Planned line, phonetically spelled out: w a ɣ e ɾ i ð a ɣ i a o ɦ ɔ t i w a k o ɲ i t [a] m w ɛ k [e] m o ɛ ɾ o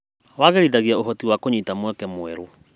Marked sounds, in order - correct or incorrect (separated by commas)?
correct, incorrect